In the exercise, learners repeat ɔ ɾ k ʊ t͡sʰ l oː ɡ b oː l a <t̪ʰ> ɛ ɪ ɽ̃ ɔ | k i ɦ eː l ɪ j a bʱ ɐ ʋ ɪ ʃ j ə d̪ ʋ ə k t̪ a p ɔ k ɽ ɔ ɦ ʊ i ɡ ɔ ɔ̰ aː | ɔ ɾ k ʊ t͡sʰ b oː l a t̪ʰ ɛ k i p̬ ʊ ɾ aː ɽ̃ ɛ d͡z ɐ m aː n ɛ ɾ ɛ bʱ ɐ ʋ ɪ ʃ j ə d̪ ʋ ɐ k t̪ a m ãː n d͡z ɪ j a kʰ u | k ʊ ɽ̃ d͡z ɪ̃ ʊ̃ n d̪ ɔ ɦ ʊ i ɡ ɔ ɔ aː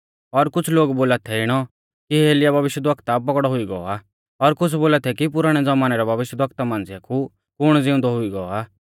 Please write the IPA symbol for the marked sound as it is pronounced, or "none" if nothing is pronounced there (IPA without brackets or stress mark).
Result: t̪ʰ